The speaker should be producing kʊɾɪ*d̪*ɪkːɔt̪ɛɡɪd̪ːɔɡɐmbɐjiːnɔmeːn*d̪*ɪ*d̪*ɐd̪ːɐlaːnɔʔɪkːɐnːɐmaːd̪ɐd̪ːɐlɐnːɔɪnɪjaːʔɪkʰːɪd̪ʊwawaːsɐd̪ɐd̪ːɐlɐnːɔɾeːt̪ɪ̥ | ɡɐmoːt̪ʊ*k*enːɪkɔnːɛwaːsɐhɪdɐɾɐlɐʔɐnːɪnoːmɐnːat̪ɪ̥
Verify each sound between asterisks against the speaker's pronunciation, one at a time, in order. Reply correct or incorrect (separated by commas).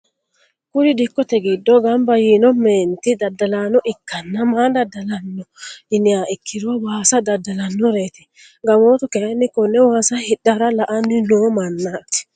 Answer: correct, incorrect, correct, correct